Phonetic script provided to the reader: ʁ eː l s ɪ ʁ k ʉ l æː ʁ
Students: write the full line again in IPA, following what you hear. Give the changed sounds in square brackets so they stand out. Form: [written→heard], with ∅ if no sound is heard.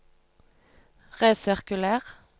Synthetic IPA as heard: ʁ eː [l→∅] s ɪ ʁ k ʉ l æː ʁ

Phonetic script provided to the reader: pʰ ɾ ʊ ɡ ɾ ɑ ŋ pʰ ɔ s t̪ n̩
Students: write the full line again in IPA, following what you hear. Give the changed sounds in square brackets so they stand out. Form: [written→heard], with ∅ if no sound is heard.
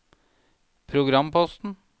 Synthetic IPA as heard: pʰ ɾ ʊ ɡ ɾ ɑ [ŋ→m] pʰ ɔ s t̪ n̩

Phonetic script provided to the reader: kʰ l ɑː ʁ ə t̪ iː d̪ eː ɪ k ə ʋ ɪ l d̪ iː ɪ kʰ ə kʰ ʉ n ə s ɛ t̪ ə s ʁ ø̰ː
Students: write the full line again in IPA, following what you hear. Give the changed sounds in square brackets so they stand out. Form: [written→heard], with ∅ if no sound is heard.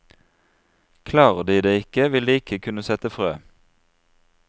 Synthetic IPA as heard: kʰ l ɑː ʁ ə [t̪→d̪] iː d̪ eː ɪ k ə ʋ ɪ l d̪ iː ɪ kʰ ə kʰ ʉ n ə s ɛ t̪ ə [s→f] ʁ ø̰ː

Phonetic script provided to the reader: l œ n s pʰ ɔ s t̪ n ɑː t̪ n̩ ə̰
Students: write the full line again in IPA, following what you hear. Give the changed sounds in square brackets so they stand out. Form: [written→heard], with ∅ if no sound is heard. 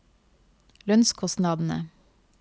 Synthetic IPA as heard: l œ n s [pʰ→kʰ] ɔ s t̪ n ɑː [t̪→d̪] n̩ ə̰

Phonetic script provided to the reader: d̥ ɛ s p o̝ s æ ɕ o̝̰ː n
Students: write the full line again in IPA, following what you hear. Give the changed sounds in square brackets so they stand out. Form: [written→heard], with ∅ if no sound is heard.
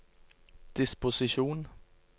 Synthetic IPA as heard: d̥ [ɛ→i] s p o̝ s [æ→i] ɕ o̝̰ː n

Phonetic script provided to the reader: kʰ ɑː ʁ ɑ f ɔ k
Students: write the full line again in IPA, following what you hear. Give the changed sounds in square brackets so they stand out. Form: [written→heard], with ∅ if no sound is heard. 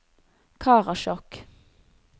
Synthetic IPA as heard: kʰ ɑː ʁ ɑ [f→ʃ] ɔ k

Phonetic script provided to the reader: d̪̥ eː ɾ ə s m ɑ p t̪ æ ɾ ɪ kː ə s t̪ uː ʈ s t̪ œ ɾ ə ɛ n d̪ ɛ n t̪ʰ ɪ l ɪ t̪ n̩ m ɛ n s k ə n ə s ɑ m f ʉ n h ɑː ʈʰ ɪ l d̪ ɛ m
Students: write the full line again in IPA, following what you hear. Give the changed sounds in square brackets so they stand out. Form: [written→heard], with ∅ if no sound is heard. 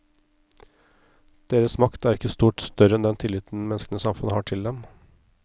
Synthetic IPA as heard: d̪̥ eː ɾ ə s m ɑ [p→k] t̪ æ ɾ ɪ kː ə s t̪ uː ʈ s t̪ œ ɾ ə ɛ n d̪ ɛ n t̪ʰ ɪ l ɪ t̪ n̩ m ɛ n s k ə n ə s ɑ m f ʉ n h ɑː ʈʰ ɪ l d̪ ɛ m

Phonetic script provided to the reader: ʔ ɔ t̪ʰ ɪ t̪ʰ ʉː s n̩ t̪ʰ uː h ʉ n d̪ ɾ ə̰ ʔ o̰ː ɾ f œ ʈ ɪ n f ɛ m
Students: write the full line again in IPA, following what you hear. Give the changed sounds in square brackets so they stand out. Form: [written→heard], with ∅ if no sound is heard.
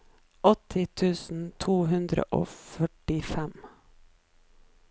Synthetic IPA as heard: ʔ ɔ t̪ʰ ɪ t̪ʰ ʉː s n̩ t̪ʰ uː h ʉ n d̪ ɾ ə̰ ʔ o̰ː [ɾ→∅] f œ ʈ ɪ [n→∅] f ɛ m

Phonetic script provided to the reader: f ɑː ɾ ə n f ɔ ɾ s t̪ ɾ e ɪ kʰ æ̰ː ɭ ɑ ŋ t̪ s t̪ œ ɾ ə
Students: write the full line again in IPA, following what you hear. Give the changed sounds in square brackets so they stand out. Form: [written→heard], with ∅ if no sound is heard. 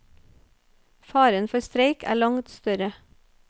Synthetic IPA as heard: f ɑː ɾ ə n f ɔ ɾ s t̪ ɾ e ɪ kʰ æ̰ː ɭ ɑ ŋ t̪ s t̪ œ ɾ ə

